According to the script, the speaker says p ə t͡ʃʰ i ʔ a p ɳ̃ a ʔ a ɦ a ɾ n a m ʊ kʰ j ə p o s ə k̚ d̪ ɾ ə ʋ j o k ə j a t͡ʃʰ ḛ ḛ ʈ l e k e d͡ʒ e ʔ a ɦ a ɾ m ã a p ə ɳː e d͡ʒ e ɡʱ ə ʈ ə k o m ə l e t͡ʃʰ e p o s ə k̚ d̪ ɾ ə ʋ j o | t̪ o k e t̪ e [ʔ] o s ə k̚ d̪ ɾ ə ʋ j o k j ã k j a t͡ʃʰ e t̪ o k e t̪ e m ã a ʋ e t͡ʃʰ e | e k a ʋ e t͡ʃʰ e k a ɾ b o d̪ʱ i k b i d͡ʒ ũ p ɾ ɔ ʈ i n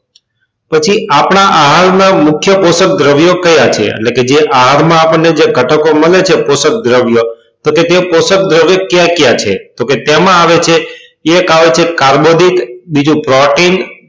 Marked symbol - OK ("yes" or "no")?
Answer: no